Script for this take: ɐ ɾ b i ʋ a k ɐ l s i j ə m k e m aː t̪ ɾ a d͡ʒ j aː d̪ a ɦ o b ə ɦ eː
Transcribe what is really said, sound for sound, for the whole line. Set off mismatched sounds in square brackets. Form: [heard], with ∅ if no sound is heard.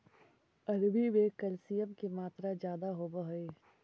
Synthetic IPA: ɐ ɾ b i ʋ [e] k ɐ l s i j ə m k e m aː t̪ ɾ a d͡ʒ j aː d̪ a ɦ o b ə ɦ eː